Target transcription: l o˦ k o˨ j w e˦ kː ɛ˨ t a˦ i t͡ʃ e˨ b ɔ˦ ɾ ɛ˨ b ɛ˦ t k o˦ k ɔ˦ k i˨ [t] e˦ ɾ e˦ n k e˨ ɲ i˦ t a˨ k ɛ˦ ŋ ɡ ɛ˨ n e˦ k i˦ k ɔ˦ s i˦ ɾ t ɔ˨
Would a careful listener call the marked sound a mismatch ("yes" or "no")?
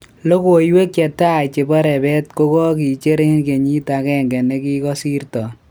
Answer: yes